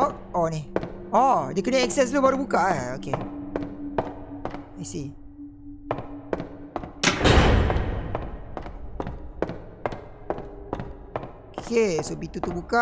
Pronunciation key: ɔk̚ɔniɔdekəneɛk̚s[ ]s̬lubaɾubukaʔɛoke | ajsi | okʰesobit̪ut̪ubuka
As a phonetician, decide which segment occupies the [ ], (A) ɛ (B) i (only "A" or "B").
A